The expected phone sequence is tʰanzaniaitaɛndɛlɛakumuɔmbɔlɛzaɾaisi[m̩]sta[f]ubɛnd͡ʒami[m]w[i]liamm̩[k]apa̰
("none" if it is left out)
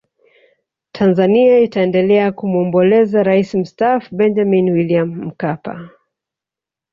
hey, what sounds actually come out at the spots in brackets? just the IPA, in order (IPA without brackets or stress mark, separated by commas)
m̩, f, n, i, k